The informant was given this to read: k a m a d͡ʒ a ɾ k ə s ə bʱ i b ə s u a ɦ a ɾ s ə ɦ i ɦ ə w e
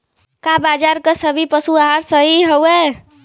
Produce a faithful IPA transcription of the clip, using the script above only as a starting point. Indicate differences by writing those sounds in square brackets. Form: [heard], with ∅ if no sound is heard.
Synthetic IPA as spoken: k a [b] a d͡ʒ a ɾ k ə s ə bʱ i [p] ə s u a ɦ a ɾ s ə ɦ i ɦ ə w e